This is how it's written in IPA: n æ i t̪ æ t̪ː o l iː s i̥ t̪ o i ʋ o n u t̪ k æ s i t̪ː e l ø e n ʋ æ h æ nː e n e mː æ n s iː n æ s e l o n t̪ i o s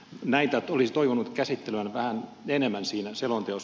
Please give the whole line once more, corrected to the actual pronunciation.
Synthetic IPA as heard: n æ i t̪ æ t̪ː o l i s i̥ t̪ o i ʋ o n u t̪ k æ s i t̪ː e l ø æ n ʋ æ h æ n e n e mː æ n s iː n æ s e l o n t̪ e o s

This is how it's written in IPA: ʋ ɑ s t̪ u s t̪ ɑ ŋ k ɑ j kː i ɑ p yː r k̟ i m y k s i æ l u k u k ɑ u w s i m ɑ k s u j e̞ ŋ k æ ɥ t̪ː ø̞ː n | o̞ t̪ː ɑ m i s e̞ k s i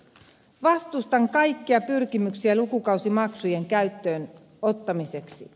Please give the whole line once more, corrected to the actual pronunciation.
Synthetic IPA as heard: ʋ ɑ s t̪ u s t̪ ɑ ŋ k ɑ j kː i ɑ p y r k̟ i m y k s i æ l u k u k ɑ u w s i m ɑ k s u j e̞ ŋ k æ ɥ t̪ː ø̞ː n | o̞ t̪ː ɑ m i s e̞ k s i

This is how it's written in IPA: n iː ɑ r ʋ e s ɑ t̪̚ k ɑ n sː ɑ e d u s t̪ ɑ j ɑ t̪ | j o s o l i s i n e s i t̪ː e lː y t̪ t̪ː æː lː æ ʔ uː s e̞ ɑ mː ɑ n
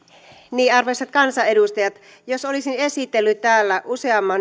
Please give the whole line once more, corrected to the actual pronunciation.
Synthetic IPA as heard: n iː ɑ r ʋ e s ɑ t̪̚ k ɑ n s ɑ e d u s t̪ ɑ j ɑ t̪ | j o s o l i s i n e s i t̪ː e lː y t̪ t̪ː æː lː æ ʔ u s e̞ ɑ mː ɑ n

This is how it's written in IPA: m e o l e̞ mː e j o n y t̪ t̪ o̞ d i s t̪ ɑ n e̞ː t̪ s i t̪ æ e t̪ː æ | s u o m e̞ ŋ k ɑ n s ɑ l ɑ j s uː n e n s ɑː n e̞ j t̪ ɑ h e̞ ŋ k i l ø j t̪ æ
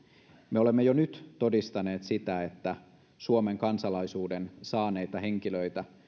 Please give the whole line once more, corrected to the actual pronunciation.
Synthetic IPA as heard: m e o l e̞ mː e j o n y t̪ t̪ o̞ d i s t̪ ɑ n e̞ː t̪ s i t̪ æ e t̪ː æ | s u o m e̞ ŋ k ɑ n s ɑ l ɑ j s uː d e n s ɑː n e̞ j t̪ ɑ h e̞ ŋ k i l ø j t̪ æ

